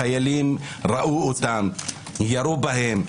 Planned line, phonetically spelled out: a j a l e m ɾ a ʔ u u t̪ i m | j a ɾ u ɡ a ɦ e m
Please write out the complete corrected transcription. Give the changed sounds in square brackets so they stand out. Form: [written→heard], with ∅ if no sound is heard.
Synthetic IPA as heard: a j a l [e→i] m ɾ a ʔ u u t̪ [i→a] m | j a ɾ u [ɡ→b] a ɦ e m